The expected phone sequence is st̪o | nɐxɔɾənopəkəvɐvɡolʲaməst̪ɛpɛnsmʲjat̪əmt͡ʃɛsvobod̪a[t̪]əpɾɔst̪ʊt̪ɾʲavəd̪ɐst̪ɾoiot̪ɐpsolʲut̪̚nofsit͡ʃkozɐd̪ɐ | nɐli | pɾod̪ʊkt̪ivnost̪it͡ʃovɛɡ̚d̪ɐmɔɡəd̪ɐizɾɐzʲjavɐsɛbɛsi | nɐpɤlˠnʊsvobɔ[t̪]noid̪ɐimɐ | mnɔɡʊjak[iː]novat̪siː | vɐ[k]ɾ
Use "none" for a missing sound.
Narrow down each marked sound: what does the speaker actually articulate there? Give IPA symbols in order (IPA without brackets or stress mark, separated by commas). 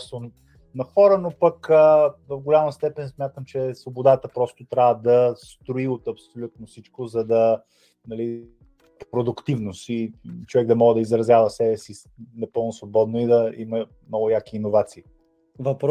t̪, d̪, iː, p